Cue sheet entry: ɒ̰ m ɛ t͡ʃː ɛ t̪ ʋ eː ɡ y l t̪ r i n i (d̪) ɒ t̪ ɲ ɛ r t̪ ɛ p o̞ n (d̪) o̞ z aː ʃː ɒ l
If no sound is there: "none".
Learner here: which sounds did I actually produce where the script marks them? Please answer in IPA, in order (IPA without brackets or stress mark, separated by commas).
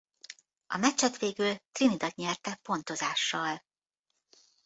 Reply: d̪, t̪